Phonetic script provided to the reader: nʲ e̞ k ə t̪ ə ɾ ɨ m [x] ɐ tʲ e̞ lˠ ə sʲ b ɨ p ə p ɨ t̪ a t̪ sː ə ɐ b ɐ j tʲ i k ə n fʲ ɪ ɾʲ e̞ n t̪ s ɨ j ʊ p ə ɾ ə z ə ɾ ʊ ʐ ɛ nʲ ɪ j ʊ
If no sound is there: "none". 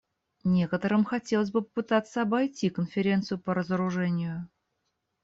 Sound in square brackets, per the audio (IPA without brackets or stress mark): x